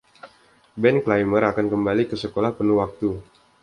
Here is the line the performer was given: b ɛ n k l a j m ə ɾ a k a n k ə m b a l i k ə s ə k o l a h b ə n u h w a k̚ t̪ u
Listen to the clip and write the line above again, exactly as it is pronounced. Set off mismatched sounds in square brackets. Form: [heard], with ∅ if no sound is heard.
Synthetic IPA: b ɛ n k l a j m ə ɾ a k a n k ə m b a l i k ə s ə k o l a h [p] ə n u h w a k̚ t̪ u